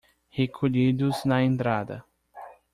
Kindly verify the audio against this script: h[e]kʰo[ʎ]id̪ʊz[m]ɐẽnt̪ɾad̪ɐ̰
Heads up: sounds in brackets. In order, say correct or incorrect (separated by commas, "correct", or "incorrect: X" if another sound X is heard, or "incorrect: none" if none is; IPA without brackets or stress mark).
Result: correct, correct, incorrect: n